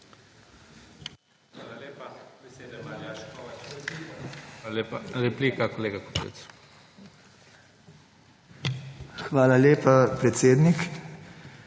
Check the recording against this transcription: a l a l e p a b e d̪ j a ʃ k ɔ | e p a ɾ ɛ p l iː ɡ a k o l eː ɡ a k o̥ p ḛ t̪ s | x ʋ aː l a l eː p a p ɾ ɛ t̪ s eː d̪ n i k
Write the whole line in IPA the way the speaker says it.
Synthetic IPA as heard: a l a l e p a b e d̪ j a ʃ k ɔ | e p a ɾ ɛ p l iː k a k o l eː ɡ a k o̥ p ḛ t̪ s | x ʋ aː l a l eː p a p ɾ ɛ t̪ s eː d̪ n i k